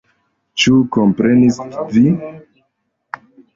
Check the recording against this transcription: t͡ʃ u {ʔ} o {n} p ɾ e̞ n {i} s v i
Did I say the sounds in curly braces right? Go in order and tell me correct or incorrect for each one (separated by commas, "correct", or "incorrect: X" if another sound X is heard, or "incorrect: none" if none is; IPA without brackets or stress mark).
incorrect: k, incorrect: m, correct